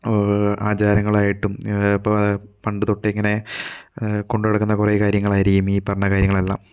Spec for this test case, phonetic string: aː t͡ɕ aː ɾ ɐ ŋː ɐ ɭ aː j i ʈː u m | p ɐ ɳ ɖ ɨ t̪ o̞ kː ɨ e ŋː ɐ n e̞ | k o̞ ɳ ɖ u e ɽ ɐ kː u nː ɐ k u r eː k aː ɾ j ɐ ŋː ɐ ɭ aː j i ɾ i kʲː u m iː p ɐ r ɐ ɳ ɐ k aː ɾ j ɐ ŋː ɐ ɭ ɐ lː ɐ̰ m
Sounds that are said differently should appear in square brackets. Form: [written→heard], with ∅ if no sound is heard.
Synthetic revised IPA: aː t͡ɕ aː ɾ ɐ ŋː ɐ ɭ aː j i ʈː u m | p ɐ ɳ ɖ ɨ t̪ o̞ [kː→ʈː] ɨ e ŋː ɐ n e̞ | k o̞ ɳ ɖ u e ɽ ɐ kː u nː ɐ k u r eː k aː ɾ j ɐ ŋː ɐ ɭ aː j i ɾ i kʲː u m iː p ɐ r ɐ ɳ ɐ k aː ɾ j ɐ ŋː ɐ ɭ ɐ lː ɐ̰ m